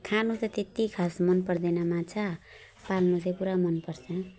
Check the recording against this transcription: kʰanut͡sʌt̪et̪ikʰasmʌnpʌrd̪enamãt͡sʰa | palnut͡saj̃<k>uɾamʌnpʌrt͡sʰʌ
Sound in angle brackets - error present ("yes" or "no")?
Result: yes